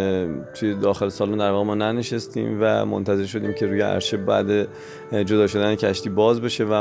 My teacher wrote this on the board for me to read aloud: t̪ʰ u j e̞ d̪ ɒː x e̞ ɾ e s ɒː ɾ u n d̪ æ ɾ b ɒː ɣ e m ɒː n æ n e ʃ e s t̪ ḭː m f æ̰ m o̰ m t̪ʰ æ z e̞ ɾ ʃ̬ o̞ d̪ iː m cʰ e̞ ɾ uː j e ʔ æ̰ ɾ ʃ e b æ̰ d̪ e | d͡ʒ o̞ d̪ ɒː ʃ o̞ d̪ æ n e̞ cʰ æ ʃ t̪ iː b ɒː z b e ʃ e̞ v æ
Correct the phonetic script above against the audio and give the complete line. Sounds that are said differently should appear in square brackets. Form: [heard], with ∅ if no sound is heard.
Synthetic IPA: t̪ʰ u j e̞ d̪ ɒː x e̞ [l] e s ɒː [l] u n d̪ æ ɾ [v] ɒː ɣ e m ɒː n æ n e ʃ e s t̪ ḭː m [v] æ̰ m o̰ [n] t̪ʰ æ z e̞ ɾ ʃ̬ o̞ d̪ iː m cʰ e̞ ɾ uː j e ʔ æ̰ ɾ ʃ e b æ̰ d̪ e | d͡ʒ o̞ d̪ ɒː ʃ o̞ d̪ æ n e̞ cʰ æ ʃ t̪ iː b ɒː z b e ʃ e̞ v æ